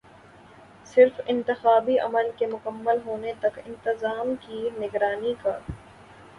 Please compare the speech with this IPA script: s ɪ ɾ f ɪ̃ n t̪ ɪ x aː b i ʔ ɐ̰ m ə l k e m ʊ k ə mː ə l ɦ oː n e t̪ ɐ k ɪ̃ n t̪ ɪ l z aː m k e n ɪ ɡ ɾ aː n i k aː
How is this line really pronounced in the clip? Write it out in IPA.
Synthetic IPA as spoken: s ɪ ɾ f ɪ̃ n t̪ ɪ x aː b i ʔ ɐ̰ m ə l k e m ʊ k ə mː ə l ɦ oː n e t̪ ɐ k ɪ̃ n t̪ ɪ z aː m k i n ɪ ɡ ɾ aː n i k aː